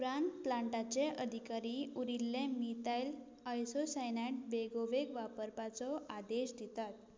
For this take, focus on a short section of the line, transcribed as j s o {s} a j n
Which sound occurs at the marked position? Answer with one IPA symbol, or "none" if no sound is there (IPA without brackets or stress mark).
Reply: s